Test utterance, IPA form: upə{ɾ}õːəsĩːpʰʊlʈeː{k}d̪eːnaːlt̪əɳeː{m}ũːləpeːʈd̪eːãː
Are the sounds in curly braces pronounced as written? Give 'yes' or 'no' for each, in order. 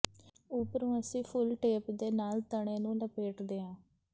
yes, no, no

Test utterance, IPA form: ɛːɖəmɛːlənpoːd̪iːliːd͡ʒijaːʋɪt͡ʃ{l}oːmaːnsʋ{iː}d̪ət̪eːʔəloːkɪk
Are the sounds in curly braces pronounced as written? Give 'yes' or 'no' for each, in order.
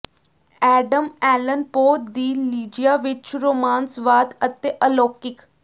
no, no

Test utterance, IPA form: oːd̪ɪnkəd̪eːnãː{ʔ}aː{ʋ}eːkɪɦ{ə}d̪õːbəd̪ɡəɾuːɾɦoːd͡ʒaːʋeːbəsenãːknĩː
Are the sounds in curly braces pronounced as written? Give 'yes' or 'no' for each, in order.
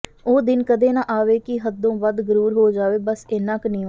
yes, yes, yes

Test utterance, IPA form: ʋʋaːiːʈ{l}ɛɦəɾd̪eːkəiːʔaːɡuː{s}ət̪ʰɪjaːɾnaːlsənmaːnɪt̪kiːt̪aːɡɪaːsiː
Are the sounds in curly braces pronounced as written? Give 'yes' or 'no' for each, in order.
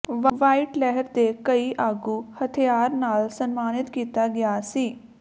yes, no

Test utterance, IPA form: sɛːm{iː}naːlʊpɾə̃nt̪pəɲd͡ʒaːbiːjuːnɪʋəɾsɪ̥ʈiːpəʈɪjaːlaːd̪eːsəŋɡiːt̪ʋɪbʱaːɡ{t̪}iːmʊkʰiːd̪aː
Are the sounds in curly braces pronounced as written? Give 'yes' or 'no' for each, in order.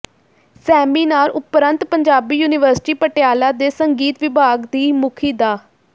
yes, no

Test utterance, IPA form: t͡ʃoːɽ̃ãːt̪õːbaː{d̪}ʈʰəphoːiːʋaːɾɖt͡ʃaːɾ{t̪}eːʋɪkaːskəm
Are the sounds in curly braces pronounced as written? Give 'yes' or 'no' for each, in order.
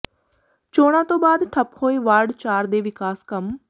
yes, no

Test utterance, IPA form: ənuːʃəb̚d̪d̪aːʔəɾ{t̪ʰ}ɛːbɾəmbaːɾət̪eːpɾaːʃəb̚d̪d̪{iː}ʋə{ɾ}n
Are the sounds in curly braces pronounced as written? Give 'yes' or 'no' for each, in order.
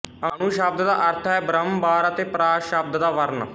yes, no, yes

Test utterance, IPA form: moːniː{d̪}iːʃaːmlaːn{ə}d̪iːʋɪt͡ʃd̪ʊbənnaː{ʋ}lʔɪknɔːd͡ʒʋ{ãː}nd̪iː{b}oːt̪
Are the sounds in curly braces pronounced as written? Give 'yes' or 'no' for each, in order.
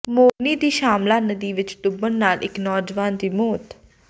yes, yes, no, no, no

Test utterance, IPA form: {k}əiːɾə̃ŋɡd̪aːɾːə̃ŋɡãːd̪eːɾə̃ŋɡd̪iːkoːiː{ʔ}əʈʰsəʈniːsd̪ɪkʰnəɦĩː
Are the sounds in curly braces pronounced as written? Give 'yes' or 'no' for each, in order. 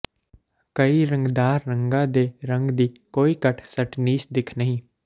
yes, no

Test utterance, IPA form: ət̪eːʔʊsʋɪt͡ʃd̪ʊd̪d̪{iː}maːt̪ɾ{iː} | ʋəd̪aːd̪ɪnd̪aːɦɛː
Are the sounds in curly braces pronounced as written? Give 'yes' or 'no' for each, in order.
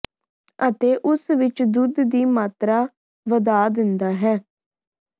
yes, no

